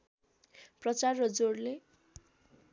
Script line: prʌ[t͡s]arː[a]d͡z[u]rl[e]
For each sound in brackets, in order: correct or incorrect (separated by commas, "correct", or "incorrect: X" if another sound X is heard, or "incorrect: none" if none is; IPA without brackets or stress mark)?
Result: correct, incorrect: ʌ, incorrect: o, correct